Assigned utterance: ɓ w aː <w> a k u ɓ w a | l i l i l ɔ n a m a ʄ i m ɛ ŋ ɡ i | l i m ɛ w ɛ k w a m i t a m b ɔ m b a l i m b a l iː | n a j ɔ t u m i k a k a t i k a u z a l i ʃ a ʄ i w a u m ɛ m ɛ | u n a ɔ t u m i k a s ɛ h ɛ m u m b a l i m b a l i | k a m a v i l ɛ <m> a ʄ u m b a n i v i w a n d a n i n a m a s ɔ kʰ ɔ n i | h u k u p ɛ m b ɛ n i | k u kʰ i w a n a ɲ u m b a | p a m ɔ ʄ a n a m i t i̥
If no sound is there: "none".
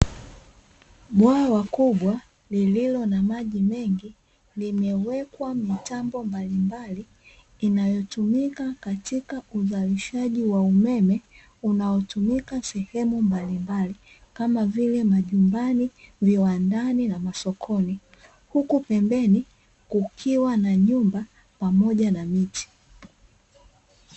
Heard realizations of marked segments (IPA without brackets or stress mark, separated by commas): w, m